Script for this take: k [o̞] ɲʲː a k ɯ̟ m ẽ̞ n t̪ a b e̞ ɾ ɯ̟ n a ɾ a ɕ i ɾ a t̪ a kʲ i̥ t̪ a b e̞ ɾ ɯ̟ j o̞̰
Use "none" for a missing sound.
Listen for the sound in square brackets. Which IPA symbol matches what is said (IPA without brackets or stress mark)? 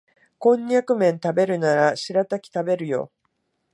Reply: õ̞